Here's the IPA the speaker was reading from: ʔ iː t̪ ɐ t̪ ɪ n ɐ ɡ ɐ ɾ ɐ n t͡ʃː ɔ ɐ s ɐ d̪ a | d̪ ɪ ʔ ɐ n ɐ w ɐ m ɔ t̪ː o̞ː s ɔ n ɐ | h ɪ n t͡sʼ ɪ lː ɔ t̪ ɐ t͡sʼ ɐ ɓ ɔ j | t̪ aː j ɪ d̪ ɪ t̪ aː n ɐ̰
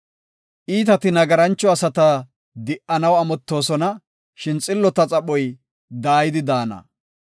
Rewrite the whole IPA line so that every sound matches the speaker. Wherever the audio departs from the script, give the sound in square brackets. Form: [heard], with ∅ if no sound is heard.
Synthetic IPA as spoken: ʔ iː t̪ ɐ t̪ ɪ n ɐ ɡ ɐ ɾ ɐ n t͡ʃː ɔ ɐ s ɐ [t̪] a | d̪ ɪ ʔ ɐ n ɐ w ɐ m ɔ t̪ː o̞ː s ɔ n ɐ | [ʃ] ɪ n t͡sʼ ɪ lː ɔ t̪ ɐ t͡sʼ ɐ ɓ ɔ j | [d̪] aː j ɪ d̪ ɪ [d̪] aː n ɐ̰